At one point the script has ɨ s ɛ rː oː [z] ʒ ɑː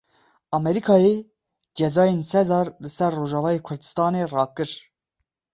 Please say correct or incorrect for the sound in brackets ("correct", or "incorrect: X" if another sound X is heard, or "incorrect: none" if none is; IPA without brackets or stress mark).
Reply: incorrect: none